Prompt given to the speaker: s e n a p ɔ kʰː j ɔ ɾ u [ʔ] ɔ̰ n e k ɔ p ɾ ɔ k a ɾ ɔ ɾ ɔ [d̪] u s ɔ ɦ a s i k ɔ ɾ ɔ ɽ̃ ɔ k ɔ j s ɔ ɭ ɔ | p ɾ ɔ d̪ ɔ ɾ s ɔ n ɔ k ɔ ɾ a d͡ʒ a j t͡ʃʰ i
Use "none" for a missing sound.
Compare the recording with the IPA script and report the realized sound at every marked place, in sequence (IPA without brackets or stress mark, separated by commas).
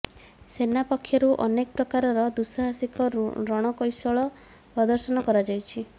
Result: ʔ, d̪